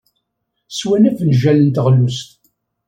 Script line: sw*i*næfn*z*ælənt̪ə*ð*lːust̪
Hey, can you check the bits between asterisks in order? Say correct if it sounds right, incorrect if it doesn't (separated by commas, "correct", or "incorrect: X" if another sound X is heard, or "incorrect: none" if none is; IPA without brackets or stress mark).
incorrect: æ, incorrect: ʒ, incorrect: ʁ